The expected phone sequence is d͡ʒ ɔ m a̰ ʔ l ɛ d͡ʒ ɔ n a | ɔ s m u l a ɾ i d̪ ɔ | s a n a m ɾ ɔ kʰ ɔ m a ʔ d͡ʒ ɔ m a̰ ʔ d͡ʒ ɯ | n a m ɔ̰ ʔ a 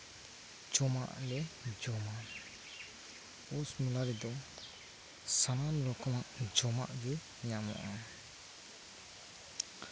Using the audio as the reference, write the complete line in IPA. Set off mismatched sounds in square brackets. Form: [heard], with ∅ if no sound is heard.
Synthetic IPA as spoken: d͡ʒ ɔ m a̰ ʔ l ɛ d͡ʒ ɔ [m] a | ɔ s m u l a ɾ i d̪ ɔ | s a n a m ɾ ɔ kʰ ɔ m a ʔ d͡ʒ ɔ m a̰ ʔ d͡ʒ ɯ | [ɲ] a m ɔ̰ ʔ a